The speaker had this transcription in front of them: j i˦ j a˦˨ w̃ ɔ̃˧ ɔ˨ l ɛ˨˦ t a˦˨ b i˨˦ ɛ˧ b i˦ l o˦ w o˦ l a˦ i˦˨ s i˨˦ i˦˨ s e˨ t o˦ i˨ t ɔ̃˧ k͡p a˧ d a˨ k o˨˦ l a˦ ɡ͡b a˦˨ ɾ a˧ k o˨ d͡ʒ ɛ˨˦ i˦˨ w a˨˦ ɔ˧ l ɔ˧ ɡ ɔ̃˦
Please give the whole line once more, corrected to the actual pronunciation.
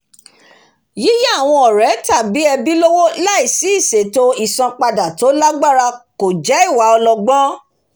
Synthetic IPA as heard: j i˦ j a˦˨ w̃ ɔ̃˧ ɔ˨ ɾ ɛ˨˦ t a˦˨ b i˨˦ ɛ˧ b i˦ l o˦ w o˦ l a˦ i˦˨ s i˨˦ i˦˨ s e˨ t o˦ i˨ s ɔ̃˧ k͡p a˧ d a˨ t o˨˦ l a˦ ɡ͡b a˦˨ ɾ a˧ k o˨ d͡ʒ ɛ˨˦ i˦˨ w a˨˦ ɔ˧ l ɔ˧ ɡ͡b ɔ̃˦